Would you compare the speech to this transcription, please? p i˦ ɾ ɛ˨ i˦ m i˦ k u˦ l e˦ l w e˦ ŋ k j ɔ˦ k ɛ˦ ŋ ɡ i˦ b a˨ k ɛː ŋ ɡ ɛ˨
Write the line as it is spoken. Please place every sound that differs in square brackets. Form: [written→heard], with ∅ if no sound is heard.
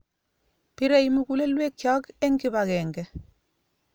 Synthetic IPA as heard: p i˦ ɾ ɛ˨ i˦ m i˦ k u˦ l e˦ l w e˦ [ŋ→∅] k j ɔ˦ k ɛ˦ ŋ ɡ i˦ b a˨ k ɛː ŋ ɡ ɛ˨